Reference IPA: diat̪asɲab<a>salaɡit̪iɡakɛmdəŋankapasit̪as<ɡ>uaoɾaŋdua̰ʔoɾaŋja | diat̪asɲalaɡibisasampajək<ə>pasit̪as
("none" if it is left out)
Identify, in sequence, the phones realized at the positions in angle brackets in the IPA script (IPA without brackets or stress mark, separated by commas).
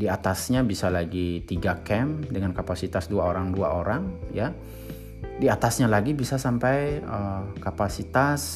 i, d, a